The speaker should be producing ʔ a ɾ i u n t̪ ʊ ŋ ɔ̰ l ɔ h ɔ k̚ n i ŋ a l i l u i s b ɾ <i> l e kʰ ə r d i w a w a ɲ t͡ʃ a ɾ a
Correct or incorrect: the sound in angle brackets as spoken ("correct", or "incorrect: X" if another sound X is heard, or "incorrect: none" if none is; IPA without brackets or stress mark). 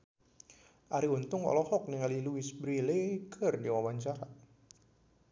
correct